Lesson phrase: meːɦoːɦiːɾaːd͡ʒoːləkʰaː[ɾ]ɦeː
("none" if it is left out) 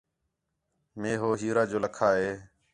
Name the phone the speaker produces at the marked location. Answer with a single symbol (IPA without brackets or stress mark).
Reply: none